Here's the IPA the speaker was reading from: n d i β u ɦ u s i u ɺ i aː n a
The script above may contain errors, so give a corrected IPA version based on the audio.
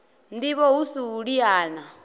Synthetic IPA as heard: n d i β ɔ ɦ u s i u ɺ i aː n a